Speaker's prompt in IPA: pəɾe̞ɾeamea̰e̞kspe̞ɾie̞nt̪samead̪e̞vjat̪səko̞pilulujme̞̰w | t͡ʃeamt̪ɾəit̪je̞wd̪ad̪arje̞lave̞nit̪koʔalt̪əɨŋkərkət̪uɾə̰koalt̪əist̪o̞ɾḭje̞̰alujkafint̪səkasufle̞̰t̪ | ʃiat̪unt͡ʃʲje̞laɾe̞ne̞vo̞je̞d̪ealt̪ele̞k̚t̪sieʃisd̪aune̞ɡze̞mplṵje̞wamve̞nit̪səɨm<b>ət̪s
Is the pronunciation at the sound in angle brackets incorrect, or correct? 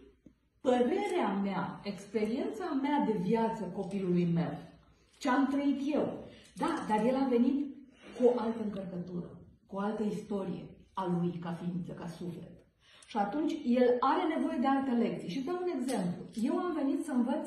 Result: incorrect